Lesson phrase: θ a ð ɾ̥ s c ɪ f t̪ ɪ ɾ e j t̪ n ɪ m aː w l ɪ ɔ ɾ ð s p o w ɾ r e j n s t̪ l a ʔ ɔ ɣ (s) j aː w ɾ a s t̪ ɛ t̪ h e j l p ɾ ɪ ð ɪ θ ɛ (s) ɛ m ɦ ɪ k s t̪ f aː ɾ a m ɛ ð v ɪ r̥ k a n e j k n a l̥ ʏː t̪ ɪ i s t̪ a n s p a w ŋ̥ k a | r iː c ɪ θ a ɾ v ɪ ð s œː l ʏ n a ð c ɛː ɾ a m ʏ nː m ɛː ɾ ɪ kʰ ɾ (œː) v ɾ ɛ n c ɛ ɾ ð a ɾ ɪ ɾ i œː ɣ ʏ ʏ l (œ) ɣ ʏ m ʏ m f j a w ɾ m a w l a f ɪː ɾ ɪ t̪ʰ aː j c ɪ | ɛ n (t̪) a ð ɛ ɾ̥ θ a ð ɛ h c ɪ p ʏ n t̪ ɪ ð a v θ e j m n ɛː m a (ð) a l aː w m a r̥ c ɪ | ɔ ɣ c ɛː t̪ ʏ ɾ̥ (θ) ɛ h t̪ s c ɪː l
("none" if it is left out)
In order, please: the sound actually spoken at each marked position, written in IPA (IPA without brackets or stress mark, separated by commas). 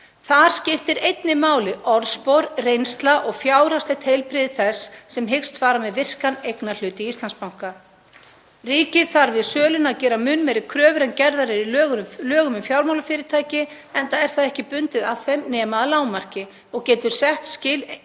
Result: f, sː, œː, œː, t̪, ð, s